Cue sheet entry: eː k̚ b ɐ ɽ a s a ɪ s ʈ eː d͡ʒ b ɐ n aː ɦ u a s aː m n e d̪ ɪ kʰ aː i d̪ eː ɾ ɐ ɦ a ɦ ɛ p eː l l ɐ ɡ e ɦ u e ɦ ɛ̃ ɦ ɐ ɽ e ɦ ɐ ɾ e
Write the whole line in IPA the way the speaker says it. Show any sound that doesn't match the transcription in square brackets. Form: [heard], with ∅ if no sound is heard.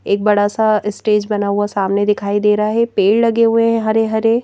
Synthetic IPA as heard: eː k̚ b ɐ ɽ a s a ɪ s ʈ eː d͡ʒ b ɐ n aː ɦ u a s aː m n e d̪ ɪ kʰ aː i d̪ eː ɾ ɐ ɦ a ɦ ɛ p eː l l ɐ ɡ e ɦ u e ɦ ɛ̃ ɦ ɐ [ɾ] e ɦ ɐ ɾ e